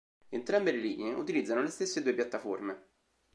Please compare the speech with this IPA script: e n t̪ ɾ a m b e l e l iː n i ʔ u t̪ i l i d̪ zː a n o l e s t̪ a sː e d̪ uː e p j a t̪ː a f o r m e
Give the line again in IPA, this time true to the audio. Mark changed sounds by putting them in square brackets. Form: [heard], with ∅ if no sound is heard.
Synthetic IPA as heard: e n t̪ ɾ a m b e l e l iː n [e] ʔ u t̪ i l i d̪ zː a n o l e s t̪ [e] sː e d̪ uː e p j a t̪ː a f o r m e